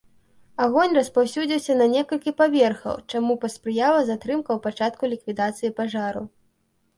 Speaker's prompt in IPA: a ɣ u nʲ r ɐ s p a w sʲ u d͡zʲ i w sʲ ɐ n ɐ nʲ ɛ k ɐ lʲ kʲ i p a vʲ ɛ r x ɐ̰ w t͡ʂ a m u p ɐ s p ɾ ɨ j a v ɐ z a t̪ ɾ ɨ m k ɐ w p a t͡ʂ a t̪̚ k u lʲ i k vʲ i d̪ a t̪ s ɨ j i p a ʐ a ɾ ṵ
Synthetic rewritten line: a ɣ ɔ nʲ r ɐ s p a w sʲ u d͡zʲ i w sʲ ɐ n ɐ nʲ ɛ k ɐ lʲ kʲ i p a vʲ ɛ r x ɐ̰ w t͡ʂ a m u p ɐ s p ɾ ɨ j a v ɐ z a t̪ ɾ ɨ m k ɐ w p a t͡ʂ a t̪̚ k u lʲ i k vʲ i d̪ a t̪ s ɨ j i p a ʐ a ɾ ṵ